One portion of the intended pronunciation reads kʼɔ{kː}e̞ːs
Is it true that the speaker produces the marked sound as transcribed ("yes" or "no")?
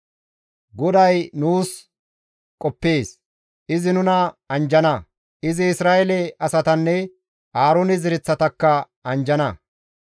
no